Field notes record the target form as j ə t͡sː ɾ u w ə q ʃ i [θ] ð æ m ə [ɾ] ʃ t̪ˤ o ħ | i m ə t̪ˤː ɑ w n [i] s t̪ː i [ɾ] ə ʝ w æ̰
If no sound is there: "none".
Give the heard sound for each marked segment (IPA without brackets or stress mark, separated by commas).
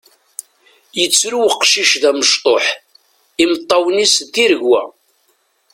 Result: ʃ, none, i, ɾ